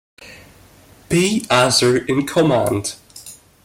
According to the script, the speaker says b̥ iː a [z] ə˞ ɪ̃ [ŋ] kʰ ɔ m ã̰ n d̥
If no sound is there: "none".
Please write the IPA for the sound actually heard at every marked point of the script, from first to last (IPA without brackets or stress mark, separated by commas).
z, n